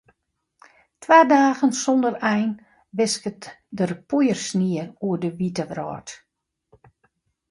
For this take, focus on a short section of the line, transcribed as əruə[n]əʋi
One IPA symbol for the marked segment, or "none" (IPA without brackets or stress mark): d